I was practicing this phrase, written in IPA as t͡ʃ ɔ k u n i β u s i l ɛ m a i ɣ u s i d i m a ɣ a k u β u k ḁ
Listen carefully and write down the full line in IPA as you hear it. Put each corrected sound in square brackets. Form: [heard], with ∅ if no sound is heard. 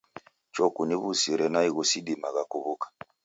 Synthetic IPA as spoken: t͡ʃ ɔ k u n i β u s i [ɾ] ɛ [n] a i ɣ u s i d i m a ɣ a k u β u k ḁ